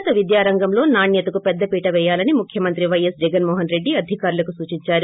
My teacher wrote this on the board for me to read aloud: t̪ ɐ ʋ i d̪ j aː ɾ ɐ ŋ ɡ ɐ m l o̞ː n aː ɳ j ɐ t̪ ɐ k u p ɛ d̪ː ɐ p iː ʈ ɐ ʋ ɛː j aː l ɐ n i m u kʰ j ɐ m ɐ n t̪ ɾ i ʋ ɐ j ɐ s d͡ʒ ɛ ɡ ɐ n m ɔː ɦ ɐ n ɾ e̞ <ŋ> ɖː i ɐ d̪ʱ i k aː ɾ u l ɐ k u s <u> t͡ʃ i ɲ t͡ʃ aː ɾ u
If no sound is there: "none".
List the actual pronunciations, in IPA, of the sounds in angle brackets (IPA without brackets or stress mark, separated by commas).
none, uː